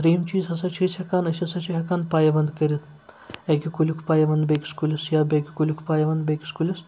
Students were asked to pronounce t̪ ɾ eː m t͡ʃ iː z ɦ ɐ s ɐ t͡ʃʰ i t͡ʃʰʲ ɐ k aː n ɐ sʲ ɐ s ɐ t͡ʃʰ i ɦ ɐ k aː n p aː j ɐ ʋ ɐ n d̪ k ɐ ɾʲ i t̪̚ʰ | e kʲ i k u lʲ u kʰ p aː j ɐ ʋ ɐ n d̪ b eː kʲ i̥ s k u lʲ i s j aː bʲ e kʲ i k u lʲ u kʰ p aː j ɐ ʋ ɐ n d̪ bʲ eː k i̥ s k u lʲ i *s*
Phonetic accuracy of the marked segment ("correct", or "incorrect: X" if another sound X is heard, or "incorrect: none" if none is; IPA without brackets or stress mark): correct